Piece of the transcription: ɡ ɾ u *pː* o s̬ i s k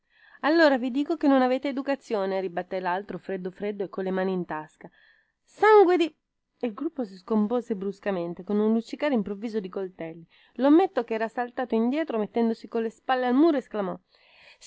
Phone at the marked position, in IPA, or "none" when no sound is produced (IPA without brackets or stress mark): pː